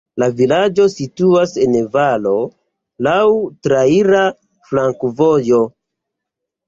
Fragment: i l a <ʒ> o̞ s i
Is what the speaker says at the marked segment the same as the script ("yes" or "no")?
no